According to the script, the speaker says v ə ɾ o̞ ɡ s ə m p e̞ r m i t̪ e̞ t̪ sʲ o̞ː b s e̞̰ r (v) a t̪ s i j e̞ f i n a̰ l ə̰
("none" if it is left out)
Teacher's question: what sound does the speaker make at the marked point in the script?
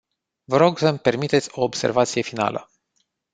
v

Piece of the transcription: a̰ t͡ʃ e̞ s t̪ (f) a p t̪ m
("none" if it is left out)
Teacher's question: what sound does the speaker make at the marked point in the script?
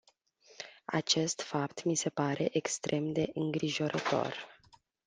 f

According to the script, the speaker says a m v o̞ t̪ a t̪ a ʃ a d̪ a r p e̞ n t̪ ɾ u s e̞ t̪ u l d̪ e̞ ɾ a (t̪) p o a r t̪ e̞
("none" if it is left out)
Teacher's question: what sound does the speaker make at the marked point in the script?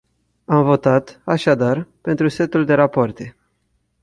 none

